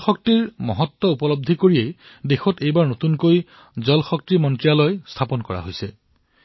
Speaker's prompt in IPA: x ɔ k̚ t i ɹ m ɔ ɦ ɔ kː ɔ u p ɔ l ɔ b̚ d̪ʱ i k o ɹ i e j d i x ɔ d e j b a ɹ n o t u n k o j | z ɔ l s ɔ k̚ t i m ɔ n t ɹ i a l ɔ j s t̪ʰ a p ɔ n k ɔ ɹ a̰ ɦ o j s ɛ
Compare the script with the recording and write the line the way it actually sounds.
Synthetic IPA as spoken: x ɔ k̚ t i ɹ m ɔ ɦ ɔ tː ɔ u p ɔ l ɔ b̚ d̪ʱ i k o ɹ i e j d e x ɔ t e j b a ɹ n o t u n k o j | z ɔ l x ɔ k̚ t i m ɔ n t ɹ i a l ɔ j s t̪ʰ a p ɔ n k ɔ ɹ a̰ ɦ o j s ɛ